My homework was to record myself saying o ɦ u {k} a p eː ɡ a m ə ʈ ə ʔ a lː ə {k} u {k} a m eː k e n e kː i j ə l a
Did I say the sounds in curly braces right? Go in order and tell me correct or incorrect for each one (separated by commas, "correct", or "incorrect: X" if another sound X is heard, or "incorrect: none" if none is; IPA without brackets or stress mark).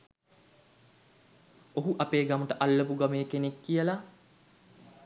incorrect: ʔ, incorrect: p, incorrect: ɡ